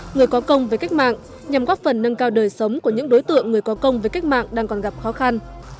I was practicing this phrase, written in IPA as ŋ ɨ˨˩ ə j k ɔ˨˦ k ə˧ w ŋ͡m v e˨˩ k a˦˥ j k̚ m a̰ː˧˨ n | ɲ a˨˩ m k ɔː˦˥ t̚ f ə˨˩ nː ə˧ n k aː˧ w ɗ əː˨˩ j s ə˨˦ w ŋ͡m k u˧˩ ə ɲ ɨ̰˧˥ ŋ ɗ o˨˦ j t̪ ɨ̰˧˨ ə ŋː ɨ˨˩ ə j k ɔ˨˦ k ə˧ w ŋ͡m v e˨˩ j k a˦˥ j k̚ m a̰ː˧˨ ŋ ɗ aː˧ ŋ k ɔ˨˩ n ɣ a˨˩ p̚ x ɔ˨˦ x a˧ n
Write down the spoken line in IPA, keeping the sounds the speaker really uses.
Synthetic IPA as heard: ŋ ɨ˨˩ ə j k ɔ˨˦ k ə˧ w ŋ͡m v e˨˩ k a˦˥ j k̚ m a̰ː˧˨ ŋ | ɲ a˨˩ m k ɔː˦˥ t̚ f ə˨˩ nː ə˧ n k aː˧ w ɗ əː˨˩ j s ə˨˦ w ŋ͡m k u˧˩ ə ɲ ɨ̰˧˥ ŋ ɗ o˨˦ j t̪ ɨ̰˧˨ ə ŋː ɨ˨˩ ə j k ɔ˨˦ k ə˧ w ŋ͡m v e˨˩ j k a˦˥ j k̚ m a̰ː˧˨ ŋ ɗ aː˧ ŋ k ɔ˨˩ n ɣ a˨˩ p̚ x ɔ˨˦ x a˧ n